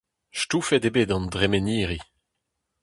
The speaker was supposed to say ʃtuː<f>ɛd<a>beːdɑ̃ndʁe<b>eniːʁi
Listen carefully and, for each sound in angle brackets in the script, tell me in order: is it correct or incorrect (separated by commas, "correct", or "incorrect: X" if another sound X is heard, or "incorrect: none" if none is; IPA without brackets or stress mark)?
correct, incorrect: e, incorrect: m